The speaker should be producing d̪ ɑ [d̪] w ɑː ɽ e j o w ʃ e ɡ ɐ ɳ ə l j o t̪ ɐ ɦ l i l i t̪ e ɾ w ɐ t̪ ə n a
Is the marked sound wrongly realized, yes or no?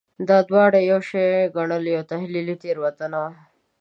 no